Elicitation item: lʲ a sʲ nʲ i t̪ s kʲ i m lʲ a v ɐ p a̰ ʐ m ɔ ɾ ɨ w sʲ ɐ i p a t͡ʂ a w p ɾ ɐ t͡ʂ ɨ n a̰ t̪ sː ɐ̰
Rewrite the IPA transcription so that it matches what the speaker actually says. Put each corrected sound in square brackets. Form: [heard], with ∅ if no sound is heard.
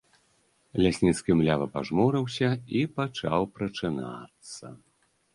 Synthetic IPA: lʲ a sʲ nʲ i t̪ s kʲ i m lʲ a v ɐ p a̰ ʐ m ɔ ɾ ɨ w sʲ ɐ i p a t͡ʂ a w p ɾ ɐ t͡ʂ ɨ n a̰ t̪ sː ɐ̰